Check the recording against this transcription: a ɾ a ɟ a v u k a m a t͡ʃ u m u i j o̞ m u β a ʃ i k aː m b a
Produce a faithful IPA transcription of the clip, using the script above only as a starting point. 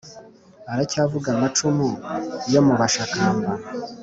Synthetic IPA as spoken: a ɾ a c a v u ɡ a m a t͡ʃ u m u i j o̞ m u β a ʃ a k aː m b a